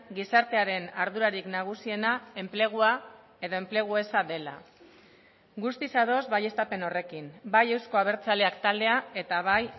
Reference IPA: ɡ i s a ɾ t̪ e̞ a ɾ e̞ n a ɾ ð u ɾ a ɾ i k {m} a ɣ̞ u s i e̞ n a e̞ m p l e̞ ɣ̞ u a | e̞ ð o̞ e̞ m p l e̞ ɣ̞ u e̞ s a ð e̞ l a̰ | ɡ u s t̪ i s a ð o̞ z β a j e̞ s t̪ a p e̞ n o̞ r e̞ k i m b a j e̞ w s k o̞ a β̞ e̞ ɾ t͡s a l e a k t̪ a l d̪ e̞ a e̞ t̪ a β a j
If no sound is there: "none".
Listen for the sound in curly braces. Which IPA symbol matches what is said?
n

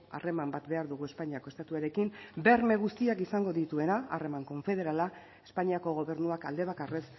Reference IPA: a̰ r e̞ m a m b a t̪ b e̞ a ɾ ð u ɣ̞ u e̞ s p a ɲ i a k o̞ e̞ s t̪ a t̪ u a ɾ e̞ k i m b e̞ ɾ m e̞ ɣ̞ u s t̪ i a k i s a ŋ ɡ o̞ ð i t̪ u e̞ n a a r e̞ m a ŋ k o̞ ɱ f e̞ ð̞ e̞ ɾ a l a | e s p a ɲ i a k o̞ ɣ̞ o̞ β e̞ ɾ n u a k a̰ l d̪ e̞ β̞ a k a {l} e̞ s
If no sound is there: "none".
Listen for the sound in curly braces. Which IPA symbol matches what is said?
r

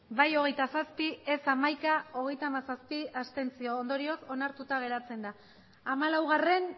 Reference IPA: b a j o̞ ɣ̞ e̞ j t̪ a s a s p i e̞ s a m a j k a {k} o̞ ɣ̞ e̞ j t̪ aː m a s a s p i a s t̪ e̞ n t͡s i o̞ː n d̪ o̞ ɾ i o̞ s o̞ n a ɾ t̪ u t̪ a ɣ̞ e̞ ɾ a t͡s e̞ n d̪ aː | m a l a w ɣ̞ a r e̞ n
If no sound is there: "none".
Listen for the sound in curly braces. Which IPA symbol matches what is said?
none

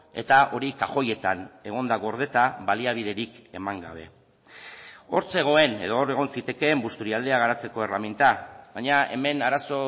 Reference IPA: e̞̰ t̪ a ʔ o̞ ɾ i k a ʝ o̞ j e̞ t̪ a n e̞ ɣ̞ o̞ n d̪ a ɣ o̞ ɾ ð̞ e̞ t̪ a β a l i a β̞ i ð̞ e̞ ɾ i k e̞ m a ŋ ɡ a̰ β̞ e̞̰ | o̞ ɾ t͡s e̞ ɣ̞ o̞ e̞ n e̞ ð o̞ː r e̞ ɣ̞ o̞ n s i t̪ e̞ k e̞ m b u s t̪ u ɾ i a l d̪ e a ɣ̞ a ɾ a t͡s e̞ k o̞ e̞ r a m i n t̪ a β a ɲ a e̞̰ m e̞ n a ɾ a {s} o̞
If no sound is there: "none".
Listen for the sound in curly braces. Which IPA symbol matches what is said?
s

